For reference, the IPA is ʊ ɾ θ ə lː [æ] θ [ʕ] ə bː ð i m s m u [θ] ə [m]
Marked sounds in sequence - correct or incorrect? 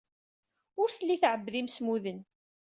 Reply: incorrect: i, correct, incorrect: ð, incorrect: n

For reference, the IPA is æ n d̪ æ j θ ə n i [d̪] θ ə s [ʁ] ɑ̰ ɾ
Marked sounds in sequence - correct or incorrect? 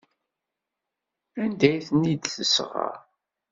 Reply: correct, correct

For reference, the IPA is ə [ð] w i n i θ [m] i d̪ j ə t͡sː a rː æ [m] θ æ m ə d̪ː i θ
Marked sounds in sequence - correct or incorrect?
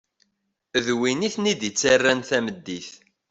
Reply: correct, incorrect: n, incorrect: n

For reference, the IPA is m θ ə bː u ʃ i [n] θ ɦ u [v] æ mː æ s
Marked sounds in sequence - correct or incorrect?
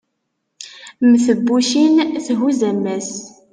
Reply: correct, incorrect: z

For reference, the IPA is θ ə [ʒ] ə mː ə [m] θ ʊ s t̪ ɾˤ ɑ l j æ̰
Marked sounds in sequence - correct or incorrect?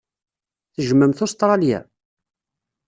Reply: correct, correct

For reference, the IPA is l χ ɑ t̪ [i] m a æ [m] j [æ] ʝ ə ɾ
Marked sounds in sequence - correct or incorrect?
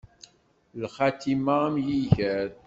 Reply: correct, correct, incorrect: i

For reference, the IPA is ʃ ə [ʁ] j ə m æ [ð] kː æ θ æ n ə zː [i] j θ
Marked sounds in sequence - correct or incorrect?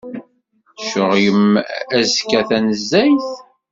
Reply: correct, incorrect: z, incorrect: æ

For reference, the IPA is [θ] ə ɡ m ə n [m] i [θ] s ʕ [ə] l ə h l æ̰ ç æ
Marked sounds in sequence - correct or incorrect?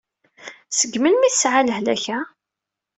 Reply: incorrect: s, correct, correct, incorrect: a

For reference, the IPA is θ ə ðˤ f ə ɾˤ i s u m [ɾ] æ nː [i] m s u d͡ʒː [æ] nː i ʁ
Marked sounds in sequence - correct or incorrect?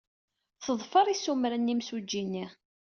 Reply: correct, correct, incorrect: i

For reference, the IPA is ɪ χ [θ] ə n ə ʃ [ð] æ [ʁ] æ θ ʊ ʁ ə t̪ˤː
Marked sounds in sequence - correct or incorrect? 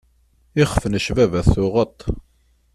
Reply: incorrect: f, incorrect: v, incorrect: v

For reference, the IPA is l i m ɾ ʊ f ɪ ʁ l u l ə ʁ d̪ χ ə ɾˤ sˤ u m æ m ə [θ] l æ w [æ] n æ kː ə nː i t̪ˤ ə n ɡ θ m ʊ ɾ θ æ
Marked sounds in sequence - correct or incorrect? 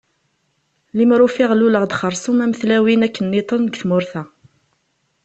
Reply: correct, incorrect: i

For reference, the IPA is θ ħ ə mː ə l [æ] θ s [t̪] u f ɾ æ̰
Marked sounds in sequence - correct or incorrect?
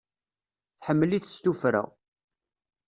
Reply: incorrect: i, correct

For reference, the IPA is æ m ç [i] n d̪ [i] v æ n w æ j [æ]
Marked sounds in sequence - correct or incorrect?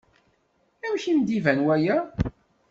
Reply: correct, correct, correct

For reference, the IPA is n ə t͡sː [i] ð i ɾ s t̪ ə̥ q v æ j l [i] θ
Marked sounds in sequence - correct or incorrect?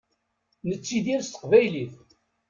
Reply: correct, correct

